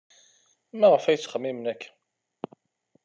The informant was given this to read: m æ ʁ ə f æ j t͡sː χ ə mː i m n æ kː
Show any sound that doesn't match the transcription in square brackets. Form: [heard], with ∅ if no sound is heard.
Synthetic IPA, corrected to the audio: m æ ʁ ə f æ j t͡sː χ ə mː i m n æ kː